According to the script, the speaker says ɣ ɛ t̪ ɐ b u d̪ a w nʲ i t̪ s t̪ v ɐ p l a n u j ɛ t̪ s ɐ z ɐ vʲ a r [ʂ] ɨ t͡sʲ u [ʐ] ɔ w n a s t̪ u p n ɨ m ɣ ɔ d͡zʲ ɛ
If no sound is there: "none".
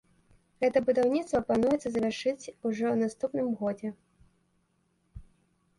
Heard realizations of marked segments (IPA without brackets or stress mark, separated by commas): ʂ, ʐ